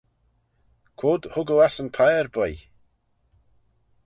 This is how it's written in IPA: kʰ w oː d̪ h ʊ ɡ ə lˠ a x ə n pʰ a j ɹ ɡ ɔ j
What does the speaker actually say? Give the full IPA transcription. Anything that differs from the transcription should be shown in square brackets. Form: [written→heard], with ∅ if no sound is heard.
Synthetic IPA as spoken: kʰ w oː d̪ h ʊ ɡ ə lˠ a [x→s] ə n pʰ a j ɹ [ɡ→b] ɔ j